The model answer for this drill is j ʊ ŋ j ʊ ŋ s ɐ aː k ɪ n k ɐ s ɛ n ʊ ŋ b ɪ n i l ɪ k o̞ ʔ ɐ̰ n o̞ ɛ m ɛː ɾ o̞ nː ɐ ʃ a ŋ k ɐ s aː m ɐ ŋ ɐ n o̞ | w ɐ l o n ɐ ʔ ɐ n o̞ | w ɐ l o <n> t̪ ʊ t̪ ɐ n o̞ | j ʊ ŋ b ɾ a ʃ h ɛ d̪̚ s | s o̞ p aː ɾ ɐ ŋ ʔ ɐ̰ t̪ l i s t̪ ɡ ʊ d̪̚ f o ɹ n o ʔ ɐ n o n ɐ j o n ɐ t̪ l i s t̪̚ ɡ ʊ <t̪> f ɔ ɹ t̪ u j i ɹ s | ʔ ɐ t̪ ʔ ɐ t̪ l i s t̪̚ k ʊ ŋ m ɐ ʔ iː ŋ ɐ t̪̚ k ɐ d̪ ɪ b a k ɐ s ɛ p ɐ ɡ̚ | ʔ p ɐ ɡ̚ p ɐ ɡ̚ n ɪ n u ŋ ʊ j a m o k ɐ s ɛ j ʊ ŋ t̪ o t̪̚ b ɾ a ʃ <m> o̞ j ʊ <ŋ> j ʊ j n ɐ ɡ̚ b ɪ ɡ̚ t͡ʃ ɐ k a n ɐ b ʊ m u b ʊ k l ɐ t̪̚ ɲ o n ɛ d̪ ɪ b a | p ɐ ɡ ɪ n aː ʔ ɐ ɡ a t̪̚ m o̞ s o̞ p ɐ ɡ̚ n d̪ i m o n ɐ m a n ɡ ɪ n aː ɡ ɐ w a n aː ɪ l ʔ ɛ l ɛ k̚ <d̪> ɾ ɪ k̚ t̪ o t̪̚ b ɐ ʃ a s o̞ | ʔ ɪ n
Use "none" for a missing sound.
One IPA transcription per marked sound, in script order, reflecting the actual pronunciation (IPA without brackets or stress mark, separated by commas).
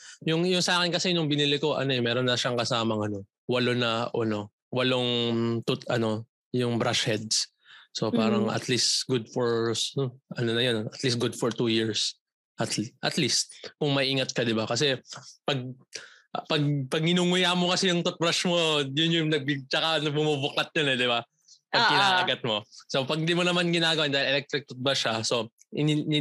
ŋ, d̪, m, n, t̪